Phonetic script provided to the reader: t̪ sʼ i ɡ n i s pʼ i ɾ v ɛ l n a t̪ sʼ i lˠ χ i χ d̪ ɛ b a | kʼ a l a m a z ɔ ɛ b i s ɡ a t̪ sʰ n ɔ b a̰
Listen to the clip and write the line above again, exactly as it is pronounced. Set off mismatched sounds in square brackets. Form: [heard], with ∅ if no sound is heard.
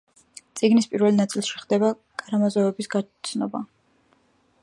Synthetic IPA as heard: t̪ sʼ i ɡ n i s pʼ i ɾ v ɛ l n a t̪ sʼ i lˠ [ʃ] i χ d̪ ɛ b a | kʼ a [ɾ] a m a z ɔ ɛ b i s ɡ a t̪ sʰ n ɔ b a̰